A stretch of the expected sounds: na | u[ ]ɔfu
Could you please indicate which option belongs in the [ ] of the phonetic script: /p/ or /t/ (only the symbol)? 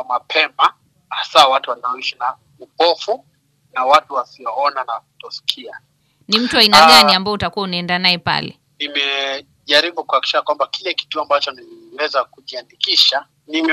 p